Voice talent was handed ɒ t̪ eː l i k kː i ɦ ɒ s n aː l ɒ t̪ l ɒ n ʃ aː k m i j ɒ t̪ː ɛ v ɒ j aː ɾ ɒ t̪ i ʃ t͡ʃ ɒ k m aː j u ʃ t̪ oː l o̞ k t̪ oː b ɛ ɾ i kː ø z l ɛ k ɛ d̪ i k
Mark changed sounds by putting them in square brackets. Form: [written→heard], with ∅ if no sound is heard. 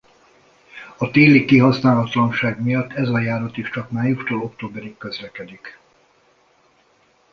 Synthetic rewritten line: ɒ t̪ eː l i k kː i ɦ ɒ s n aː l ɒ t̪ l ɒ n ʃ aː [k→ɡ] m i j ɒ t̪ː ɛ [v→z] ɒ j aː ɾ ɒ t̪ i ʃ t͡ʃ ɒ k m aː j u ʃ t̪ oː l o̞ k t̪ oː b ɛ ɾ i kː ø z l ɛ k ɛ d̪ i k